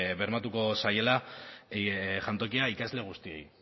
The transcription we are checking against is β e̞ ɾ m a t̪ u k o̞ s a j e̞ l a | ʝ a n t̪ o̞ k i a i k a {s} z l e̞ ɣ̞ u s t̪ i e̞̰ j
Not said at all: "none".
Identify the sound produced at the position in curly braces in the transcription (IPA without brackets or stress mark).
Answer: none